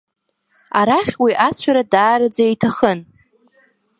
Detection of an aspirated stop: present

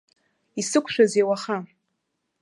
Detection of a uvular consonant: present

